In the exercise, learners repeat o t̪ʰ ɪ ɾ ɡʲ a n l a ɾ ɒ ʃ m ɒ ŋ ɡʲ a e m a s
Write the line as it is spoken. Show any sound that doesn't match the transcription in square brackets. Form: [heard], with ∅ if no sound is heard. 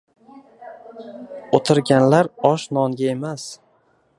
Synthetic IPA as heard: o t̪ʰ ɪ ɾ ɡʲ a n l a ɾ ɒ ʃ [n] ɒ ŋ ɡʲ a e m a s

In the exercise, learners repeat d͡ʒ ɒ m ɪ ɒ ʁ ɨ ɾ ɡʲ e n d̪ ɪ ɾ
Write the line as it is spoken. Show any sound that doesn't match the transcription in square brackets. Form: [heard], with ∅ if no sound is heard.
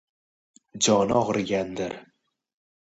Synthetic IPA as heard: d͡ʒ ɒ [n] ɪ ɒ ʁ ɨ ɾ ɡʲ [a] n d̪ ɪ ɾ

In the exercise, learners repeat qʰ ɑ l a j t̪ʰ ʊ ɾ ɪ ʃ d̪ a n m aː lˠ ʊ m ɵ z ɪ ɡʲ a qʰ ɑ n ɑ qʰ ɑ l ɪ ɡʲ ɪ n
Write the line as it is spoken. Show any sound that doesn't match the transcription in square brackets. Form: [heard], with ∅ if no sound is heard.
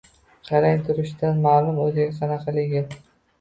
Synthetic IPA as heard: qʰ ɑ [ɾ] a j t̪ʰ ʊ ɾ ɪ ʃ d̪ a n m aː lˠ ʊ m ɵ z ɪ ɡʲ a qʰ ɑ n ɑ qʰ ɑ l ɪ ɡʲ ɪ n

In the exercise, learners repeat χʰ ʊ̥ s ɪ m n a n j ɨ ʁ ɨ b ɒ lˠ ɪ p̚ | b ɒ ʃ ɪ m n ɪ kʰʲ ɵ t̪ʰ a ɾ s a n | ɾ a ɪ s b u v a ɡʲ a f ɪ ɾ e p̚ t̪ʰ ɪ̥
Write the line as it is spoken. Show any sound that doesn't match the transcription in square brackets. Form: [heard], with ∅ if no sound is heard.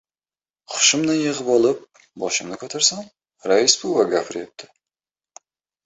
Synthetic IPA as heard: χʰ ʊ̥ [ʃ] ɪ m n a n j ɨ ʁ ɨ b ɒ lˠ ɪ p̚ | b ɒ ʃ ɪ m n ɪ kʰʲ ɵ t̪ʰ a ɾ s a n | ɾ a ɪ s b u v a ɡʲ a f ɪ ɾ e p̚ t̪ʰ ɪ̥

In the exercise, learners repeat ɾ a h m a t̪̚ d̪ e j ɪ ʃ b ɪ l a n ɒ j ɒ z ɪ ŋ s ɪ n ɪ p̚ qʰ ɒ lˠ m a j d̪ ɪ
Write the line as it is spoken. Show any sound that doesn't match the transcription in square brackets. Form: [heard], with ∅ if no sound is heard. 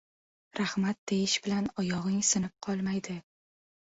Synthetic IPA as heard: ɾ a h m a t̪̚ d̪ e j ɪ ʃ b ɪ l a n ɒ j ɒ [ʁ] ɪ ŋ s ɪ n ɪ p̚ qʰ ɒ lˠ m a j d̪ ɪ

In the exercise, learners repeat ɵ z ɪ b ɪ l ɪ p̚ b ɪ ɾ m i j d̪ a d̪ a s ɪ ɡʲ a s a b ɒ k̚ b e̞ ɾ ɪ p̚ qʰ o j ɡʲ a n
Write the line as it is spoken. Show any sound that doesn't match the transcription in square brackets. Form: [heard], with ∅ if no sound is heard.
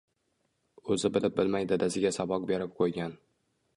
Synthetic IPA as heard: ɵ z ɪ b ɪ l ɪ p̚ b ɪ [l] m [a] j d̪ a d̪ a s ɪ ɡʲ a s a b ɒ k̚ b e̞ ɾ ɪ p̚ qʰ o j ɡʲ a n

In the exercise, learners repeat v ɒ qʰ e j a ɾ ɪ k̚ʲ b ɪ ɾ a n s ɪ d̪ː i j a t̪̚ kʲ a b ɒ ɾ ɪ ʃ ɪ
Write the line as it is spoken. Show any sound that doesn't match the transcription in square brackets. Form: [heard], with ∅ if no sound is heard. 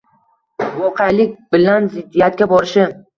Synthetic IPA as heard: v ɒ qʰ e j a [l] ɪ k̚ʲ b ɪ [l] a n [z] ɪ d̪ː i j a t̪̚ kʲ a b ɒ ɾ ɪ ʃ ɪ

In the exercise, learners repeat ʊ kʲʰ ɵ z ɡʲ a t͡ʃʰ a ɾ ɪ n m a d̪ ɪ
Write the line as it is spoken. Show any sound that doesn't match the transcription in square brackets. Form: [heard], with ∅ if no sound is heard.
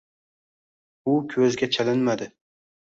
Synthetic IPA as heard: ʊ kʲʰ ɵ z ɡʲ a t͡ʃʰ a [l] ɪ n m a d̪ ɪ

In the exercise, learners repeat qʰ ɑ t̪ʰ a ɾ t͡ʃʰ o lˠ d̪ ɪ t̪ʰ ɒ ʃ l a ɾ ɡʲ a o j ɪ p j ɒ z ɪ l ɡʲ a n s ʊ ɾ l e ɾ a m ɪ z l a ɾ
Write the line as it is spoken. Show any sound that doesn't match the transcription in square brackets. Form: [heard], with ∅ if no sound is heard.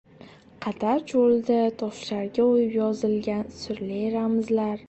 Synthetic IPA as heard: qʰ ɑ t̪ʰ a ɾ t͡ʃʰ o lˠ d̪ ɪ t̪ʰ ɒ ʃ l a ɾ ɡʲ a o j ɪ p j ɒ z ɪ l ɡʲ a n s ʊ ɾ l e ɾ a m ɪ z l a ɾ

